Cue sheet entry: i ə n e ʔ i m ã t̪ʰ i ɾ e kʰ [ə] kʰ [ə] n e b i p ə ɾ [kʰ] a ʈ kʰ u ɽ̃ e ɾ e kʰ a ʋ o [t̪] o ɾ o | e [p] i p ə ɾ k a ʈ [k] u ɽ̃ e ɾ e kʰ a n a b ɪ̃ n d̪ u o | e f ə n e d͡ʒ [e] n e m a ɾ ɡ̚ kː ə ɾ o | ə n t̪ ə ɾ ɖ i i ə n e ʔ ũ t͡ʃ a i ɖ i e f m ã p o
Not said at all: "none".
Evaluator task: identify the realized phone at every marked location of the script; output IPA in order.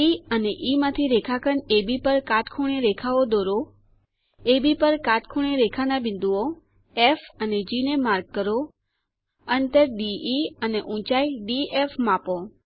a, ə, k, d̪, b, kʰ, i

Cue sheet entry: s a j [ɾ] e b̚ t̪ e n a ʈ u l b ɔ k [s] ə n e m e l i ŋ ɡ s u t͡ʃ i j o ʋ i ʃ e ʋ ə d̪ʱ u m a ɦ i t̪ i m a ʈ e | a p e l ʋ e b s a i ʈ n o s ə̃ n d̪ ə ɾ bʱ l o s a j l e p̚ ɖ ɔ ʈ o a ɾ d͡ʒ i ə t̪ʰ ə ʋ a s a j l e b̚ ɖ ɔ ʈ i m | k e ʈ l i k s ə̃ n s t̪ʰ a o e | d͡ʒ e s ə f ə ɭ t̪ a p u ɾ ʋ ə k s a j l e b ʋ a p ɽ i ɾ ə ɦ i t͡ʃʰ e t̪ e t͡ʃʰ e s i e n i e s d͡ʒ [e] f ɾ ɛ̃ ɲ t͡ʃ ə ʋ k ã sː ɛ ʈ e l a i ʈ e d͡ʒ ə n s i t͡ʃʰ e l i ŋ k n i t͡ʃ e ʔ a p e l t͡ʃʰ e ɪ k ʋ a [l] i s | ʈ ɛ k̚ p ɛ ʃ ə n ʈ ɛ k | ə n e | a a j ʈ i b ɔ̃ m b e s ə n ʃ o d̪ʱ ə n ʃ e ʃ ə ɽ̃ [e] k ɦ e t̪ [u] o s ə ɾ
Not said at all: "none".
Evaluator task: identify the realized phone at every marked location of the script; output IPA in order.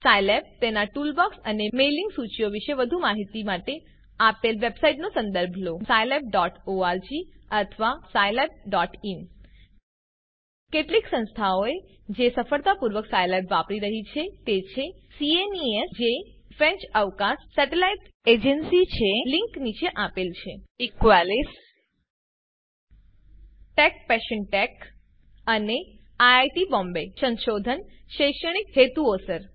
l, s, e, l, i, u

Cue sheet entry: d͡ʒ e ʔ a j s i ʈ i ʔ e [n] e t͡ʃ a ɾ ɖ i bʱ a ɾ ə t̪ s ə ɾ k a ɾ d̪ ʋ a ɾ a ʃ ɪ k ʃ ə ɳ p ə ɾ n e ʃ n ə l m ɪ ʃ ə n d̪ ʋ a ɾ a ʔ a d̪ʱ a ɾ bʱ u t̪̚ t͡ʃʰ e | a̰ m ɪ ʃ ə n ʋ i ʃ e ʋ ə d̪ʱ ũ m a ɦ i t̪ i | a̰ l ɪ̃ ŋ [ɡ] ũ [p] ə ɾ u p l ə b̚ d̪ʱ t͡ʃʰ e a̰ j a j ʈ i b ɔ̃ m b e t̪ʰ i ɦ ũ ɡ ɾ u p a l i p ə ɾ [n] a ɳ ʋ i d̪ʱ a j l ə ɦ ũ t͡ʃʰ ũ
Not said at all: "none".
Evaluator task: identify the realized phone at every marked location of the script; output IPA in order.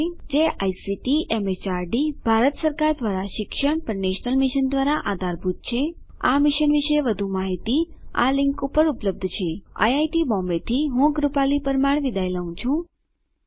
m, k, p, m

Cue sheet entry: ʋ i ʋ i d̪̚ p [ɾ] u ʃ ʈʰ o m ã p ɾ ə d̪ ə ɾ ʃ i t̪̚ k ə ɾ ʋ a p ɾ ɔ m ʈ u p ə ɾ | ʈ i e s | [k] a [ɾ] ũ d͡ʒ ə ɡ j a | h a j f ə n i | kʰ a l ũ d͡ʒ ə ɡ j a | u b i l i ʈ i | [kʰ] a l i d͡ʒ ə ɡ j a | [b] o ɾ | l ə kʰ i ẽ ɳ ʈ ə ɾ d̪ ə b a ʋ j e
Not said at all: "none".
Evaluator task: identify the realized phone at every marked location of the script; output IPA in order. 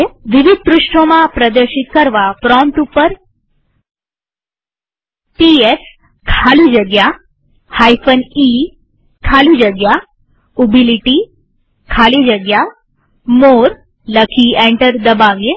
ɾ, kʰ, l, kʰ, m

